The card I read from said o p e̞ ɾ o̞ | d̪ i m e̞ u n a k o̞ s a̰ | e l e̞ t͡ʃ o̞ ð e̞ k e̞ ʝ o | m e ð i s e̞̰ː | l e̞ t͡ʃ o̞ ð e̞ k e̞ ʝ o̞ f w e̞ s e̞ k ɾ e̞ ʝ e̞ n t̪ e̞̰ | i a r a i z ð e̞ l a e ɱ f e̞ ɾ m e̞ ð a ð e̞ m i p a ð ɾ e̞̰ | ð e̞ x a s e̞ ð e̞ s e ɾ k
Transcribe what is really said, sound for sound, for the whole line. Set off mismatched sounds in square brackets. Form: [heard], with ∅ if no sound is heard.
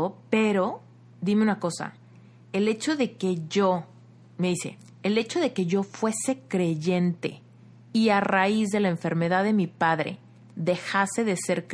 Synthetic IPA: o p e̞ ɾ o̞ | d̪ i m e̞ u n a k o̞ s a̰ | e l e̞ t͡ʃ o̞ ð e̞ k e̞ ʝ o | m e ð i s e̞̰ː | l e̞ t͡ʃ o̞ ð e̞ k e̞ ʝ o̞ f w e̞ s e̞ k ɾ e̞ ʝ e̞ n t̪ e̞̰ | i a r a i z ð e̞ l a e ɱ f e̞ ɾ m e̞ ð a ð e̞ m i p a ð ɾ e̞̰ | ð e̞ x a s e̞ ð e̞ s e ɾ k